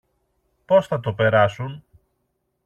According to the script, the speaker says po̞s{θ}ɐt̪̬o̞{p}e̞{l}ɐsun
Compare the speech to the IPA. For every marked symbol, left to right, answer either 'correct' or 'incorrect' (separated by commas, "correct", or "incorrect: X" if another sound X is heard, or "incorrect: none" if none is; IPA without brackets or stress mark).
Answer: correct, correct, incorrect: ɾ